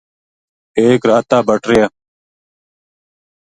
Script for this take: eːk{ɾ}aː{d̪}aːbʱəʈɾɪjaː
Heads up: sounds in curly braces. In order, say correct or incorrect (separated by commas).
correct, incorrect